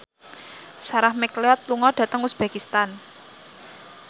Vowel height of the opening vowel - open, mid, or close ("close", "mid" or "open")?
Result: open